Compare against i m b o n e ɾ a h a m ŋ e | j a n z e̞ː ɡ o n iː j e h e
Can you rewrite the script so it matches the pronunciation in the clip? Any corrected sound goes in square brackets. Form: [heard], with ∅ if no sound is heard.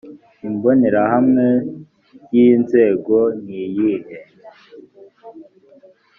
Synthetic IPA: i m b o n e ɾ a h a m ŋ e | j [i] n z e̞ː ɡ o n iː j [i] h e

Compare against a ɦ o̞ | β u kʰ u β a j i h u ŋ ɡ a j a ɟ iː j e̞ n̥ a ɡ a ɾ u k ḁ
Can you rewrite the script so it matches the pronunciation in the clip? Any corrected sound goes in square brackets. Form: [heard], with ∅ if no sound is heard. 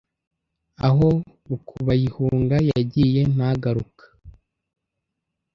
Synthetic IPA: a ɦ o̞ | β u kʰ u β a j i h u ŋ ɡ a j a ɟ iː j e̞ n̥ a ɡ a ɾ u k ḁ

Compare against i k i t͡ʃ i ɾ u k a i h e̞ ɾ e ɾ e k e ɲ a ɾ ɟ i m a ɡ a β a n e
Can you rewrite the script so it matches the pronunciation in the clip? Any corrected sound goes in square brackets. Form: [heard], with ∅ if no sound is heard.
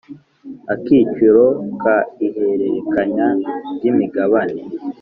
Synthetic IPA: [a] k i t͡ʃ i ɾ [o] k a i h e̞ ɾ e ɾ e k [a] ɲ a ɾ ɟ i m [i] ɡ a β a n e

